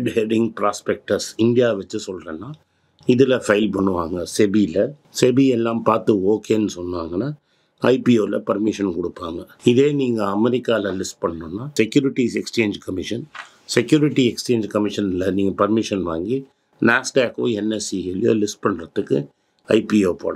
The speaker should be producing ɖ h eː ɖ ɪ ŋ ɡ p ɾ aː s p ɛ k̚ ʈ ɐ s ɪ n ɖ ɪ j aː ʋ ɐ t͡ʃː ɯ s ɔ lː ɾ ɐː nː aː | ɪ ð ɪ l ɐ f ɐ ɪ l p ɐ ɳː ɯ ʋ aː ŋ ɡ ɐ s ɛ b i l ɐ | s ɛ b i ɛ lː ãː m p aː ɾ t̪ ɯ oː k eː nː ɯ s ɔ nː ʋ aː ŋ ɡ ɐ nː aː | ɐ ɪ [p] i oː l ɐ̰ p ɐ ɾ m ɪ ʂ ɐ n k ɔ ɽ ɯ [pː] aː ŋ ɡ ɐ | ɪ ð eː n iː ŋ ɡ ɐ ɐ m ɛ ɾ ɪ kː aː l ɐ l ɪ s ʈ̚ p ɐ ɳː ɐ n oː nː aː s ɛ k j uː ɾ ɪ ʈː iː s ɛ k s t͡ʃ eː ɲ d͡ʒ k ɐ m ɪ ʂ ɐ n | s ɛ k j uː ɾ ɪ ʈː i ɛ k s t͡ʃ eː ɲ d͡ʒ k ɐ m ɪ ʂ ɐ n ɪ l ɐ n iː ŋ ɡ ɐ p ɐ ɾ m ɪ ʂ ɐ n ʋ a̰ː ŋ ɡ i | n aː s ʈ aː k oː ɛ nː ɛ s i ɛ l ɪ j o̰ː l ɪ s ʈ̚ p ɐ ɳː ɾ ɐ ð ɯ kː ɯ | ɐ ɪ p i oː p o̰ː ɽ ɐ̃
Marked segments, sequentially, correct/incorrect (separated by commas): correct, correct